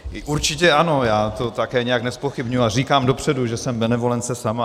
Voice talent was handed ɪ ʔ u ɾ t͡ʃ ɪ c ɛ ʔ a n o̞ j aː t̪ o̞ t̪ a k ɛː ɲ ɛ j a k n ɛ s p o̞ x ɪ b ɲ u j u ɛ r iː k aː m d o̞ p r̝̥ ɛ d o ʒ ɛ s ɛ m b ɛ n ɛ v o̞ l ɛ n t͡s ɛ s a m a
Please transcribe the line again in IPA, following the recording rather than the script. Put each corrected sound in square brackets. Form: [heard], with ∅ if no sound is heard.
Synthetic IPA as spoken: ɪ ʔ u ɾ t͡ʃ ɪ c ɛ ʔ a n o̞ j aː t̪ o̞ t̪ a k ɛː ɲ ɛ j a k n ɛ s p o̞ x ɪ b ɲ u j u [a] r iː k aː m d o̞ p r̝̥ ɛ d [u] ʒ ɛ s ɛ m b ɛ n ɛ v o̞ l ɛ n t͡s ɛ s a m a